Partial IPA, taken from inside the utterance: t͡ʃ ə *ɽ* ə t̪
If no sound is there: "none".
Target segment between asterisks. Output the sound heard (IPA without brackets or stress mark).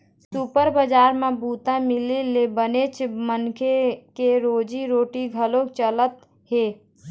l